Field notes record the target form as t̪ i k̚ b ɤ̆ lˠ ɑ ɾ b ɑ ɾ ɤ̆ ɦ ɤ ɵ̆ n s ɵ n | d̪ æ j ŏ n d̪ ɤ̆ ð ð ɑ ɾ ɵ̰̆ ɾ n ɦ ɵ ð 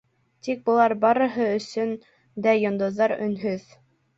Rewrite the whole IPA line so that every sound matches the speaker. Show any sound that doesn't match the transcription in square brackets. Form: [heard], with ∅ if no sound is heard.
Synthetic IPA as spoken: t̪ i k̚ b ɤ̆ lˠ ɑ ɾ b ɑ ɾ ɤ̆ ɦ ɤ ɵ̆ [∅] s ɵ n | d̪ æ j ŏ n d̪ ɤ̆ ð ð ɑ ɾ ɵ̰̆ [∅] n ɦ ɵ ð